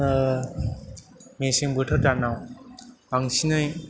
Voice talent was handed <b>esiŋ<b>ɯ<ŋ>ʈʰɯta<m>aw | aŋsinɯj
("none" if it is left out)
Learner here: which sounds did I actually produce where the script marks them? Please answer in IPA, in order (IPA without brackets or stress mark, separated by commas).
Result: m, b, none, n